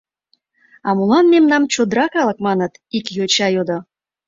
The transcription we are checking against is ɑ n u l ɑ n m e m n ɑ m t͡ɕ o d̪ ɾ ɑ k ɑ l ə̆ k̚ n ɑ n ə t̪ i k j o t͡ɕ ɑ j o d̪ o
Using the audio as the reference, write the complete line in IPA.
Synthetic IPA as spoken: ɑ m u l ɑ n m e m n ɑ m t͡ɕ o d̪ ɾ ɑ k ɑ l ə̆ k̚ m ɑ n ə t̪ i k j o t͡ɕ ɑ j o d̪ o

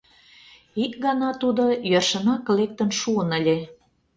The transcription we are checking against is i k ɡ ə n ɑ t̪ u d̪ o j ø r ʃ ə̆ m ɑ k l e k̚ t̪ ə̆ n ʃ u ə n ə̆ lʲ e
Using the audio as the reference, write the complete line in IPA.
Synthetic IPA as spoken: i k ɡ ɑ n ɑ t̪ u d̪ o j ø r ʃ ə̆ n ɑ k l e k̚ t̪ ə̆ n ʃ u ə n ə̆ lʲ e

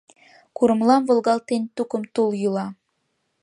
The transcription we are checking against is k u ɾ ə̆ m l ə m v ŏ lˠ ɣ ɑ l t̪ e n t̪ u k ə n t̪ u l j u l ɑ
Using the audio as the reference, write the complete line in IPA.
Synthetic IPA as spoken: k u ɾ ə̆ m l ɑ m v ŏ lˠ ɣ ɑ l t̪ e n t̪ u k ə m t̪ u l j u l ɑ

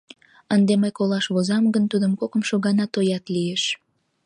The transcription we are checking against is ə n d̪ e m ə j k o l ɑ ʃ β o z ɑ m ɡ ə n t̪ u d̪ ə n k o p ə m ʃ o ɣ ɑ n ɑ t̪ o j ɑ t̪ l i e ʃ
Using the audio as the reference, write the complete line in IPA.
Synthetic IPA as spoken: ə n d̪ e m ə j k o l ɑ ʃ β o z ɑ m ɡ ə n t̪ u d̪ ə m k o k ə m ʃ o ɣ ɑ n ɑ t̪ o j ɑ t̪ l i e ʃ

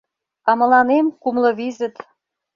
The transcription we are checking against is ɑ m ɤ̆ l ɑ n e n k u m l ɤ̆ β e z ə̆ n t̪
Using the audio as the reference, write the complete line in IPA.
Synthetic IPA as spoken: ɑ m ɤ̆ l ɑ n e m k u m l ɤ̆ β i z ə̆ t̪

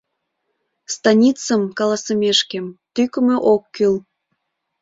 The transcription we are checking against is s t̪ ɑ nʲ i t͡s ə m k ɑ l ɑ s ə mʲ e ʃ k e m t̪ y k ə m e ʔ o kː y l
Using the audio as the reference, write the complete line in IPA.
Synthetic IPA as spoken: s t̪ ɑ nʲ i t͡s ə m k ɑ l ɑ s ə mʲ e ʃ k e m t̪ y k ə m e ʔ o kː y l

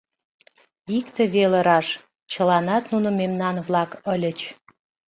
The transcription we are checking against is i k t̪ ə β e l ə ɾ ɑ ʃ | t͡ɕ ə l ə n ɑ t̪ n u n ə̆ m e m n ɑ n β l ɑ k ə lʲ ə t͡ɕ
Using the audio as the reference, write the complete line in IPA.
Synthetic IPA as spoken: i k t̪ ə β e l ə ɾ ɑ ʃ | t͡ɕ ə l ɑ n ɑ t̪ n u n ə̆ m e m n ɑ n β l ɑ k ə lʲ ə t͡ɕ

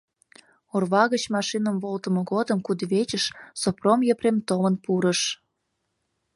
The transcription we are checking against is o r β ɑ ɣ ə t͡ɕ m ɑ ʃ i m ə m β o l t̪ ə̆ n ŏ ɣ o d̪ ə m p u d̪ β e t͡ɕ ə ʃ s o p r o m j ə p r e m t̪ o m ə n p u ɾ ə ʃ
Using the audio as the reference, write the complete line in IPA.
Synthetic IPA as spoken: o r β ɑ ɣ ə t͡ɕ m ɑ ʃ i n ə m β o l t̪ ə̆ m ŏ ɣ o d̪ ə m k u d̪ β e t͡ɕ ə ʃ s o p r o m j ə p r e m t̪ o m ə n p u ɾ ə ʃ

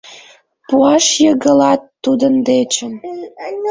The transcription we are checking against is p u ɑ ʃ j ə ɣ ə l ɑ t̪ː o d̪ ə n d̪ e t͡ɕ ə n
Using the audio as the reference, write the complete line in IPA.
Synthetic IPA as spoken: p u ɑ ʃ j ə ɣ ə l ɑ t̪ː u d̪ ə n d̪ e t͡ɕ ə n

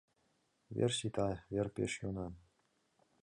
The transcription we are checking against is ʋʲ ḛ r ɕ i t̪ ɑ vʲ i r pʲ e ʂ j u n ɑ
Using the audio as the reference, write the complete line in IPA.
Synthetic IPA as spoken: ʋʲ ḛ r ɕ i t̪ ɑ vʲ e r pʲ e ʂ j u n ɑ

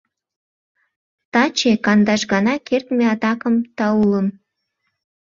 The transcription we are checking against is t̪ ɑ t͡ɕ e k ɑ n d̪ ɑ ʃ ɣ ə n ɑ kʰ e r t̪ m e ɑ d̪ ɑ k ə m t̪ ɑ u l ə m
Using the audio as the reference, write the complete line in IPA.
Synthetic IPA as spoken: t̪ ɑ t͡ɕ e k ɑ n d̪ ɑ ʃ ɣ ɑ n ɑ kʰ e r t̪ m e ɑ t̪ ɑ k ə m t̪ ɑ u l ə m

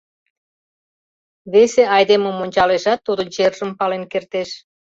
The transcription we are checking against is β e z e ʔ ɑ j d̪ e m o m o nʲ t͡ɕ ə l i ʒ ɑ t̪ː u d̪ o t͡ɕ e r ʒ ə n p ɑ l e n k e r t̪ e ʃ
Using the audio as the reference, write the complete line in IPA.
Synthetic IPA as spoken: β e s e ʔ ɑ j d̪ e m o m o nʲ t͡ɕ ɑ l e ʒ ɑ t̪ː u d̪ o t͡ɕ e r ʒ ə m p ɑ l e n k e r t̪ e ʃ

